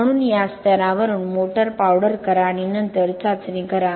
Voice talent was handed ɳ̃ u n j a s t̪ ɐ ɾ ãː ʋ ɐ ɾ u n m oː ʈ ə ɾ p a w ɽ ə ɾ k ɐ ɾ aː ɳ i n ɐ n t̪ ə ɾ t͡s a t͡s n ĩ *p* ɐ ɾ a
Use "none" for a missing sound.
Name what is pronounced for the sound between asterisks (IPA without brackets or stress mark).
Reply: k